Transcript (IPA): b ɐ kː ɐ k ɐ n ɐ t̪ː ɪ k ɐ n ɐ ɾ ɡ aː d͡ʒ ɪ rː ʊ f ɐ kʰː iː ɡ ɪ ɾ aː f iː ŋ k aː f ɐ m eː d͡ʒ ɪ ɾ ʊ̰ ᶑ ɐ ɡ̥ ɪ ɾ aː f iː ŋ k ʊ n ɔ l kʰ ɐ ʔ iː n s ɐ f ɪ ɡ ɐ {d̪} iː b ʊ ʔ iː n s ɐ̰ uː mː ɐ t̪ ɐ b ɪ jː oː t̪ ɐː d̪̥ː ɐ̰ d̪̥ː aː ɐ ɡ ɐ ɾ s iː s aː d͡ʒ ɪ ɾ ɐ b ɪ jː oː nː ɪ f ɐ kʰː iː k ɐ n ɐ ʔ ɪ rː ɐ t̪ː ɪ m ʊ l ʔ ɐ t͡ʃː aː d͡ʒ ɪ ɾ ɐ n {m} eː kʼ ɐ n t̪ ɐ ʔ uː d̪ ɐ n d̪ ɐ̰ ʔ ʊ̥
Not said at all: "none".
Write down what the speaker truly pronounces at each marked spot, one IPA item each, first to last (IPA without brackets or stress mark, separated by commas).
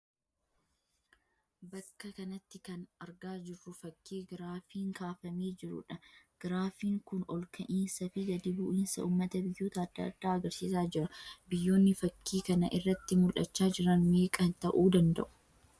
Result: d̪, m